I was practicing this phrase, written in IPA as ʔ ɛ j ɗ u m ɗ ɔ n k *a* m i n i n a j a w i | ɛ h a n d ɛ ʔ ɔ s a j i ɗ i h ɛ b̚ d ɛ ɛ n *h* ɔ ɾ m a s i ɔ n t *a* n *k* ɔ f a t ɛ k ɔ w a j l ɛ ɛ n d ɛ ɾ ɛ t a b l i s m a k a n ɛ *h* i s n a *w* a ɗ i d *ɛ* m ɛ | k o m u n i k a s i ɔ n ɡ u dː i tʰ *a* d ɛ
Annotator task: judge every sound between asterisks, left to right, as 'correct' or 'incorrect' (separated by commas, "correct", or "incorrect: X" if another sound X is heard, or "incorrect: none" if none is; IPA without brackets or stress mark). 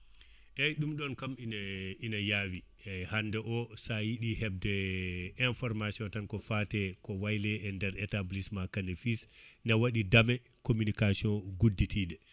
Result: correct, incorrect: f, correct, correct, incorrect: f, correct, incorrect: a, incorrect: i